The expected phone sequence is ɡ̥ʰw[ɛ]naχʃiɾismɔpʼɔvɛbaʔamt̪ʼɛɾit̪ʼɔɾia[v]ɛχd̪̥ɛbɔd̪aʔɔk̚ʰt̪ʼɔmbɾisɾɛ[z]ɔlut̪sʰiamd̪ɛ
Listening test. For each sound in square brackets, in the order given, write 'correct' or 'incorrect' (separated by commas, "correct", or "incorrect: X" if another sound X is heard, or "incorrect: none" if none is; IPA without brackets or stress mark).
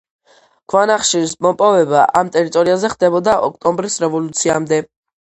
incorrect: a, incorrect: z, incorrect: v